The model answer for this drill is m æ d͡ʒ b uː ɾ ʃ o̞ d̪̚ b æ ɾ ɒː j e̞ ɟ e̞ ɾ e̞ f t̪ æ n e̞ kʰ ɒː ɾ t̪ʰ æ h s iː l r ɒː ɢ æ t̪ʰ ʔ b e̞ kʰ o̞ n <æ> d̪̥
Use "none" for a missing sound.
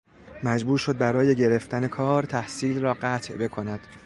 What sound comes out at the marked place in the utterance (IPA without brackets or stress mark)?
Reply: æ